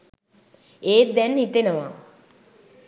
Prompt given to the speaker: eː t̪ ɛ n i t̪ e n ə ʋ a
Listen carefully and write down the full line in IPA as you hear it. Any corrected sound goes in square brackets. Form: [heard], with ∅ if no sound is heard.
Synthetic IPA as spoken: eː [d̪] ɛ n i t̪ e n ə ʋ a